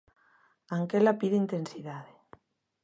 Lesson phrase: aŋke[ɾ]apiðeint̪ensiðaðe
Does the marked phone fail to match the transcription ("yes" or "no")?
yes